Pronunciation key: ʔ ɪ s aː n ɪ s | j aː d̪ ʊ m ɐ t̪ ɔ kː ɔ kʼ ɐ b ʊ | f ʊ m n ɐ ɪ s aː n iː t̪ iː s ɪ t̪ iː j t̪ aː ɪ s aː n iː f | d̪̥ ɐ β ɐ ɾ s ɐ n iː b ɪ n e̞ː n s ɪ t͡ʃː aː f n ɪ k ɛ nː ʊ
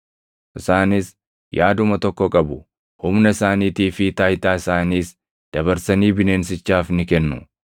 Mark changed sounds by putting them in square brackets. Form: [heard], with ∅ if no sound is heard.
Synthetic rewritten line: ʔ ɪ s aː n ɪ s | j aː d̪ ʊ m ɐ t̪ ɔ kː ɔ kʼ ɐ b ʊ | [h] ʊ m n ɐ ɪ s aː n iː t̪ iː [f] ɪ t̪ [aː] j t̪ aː ɪ s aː n iː [s] | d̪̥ ɐ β ɐ ɾ s ɐ n iː b ɪ n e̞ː n s ɪ t͡ʃː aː f n ɪ k ɛ nː ʊ